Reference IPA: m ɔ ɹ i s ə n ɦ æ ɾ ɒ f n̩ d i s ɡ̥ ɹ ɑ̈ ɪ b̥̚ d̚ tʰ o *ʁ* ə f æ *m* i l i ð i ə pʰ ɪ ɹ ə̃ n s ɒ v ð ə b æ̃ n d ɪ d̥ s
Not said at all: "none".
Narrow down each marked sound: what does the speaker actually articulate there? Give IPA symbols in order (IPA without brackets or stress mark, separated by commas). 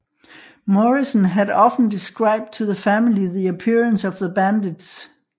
ð, m